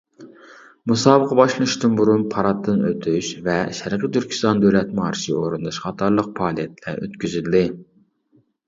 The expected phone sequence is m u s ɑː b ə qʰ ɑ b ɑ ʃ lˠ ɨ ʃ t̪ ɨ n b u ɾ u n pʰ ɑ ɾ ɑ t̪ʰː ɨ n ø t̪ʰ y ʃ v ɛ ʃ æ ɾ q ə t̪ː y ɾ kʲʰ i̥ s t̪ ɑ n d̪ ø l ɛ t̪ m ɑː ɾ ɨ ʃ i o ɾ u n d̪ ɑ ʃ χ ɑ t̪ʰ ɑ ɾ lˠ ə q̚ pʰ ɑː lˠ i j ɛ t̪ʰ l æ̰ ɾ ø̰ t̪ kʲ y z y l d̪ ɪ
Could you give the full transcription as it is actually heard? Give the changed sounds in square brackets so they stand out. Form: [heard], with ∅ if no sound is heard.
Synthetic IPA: m u s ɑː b ə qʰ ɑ b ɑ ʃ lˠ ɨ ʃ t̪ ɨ n b u ɾ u n pʰ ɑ ɾ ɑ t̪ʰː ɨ n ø t̪ʰ y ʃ v ɛ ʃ æ ɾ q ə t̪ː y ɾ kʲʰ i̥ s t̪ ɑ n d̪ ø l ɛ t̪ m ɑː ɾ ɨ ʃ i o ɾ u n d̪ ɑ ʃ χ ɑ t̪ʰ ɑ ɾ lˠ ə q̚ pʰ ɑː lˠ i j ɛ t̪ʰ l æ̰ ɾ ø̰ t̪ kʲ y z y l d̪ ɪ